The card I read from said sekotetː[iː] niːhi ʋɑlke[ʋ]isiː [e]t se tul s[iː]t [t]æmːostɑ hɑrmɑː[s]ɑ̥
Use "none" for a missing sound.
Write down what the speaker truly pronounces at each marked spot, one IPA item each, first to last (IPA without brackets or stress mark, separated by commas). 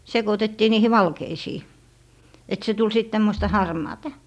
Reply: iː, none, e, i, t, t